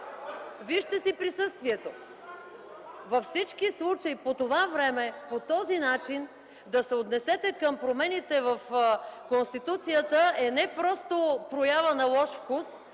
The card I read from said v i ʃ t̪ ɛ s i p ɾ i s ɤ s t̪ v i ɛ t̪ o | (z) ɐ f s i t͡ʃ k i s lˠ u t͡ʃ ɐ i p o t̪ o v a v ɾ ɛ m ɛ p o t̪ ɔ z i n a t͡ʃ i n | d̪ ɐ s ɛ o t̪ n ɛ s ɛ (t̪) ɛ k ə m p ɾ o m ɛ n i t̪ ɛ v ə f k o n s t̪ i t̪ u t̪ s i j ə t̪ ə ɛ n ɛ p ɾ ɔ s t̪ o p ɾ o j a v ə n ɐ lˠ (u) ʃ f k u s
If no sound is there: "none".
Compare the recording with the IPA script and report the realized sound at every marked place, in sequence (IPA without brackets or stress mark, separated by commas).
v, t̪, ɔ